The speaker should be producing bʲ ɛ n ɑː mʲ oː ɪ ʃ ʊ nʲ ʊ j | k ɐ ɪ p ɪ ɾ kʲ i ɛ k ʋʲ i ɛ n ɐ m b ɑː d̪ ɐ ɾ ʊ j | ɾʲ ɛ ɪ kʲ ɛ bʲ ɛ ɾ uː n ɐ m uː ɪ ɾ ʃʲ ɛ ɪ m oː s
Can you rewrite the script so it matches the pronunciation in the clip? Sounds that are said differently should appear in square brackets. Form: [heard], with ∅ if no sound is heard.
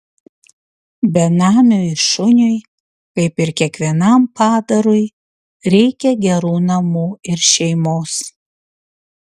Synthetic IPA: bʲ ɛ n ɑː mʲ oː ɪ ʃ ʊ nʲ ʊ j | k ɐ ɪ p ɪ ɾ kʲ i ɛ k ʋʲ i ɛ n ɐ m [p] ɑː d̪ ɐ ɾ ʊ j | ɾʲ ɛ ɪ kʲ ɛ [ɡʲ] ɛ ɾ uː n ɐ m uː ɪ ɾ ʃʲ ɛ ɪ m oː s